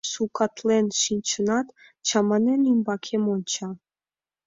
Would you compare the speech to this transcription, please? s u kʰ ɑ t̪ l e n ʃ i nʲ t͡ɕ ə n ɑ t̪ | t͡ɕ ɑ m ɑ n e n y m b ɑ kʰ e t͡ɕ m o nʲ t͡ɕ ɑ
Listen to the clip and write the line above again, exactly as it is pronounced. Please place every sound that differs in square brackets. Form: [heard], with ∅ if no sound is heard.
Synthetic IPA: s u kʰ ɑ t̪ l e n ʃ i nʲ t͡ɕ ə n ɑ t̪ | t͡ɕ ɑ m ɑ n e n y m b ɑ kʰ e [∅] m o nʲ t͡ɕ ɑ